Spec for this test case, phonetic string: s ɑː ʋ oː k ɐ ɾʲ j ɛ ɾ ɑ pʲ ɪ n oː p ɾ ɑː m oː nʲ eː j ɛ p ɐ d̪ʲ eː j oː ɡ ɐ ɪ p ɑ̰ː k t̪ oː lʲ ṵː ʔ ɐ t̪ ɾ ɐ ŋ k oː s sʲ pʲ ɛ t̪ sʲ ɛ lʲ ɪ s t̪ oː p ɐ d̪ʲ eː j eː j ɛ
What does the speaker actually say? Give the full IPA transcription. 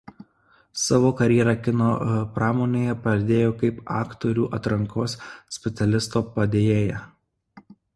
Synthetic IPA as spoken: s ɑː ʋ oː k ɐ ɾʲ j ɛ ɾ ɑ kʲ ɪ n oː p ɾ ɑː m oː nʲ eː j ɛ p ɐ d̪ʲ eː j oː k ɐ ɪ p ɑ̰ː k t̪ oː ɾʲ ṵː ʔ ɐ t̪ ɾ ɐ ŋ k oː s sʲ pʲ ɛ t̪ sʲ ɛ lʲ ɪ s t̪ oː p ɐ d̪ʲ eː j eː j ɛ